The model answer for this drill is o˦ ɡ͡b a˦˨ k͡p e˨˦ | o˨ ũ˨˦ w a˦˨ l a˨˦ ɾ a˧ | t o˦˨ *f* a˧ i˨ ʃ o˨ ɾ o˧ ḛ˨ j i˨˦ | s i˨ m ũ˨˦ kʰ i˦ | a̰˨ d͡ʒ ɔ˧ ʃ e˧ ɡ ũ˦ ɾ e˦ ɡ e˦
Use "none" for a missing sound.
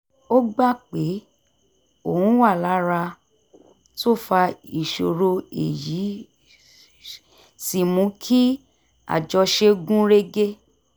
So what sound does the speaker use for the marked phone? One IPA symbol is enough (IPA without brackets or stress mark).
f